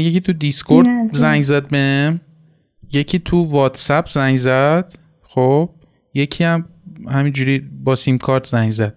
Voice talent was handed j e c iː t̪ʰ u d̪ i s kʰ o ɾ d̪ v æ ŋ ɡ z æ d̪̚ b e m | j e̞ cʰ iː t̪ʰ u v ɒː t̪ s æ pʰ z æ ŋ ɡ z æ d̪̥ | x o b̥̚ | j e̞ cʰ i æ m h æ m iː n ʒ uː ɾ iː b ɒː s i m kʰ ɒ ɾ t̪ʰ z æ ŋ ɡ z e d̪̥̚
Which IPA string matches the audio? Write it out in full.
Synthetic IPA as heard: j e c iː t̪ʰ u d̪ i s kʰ o ɾ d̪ z æ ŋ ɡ z æ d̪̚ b e m | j e̞ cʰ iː t̪ʰ u v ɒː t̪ s æ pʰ z æ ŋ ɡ z æ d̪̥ | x o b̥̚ | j e̞ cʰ i æ m h æ m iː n d͡ʒ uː ɾ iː b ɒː s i m kʰ ɒ ɾ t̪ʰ z æ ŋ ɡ z æ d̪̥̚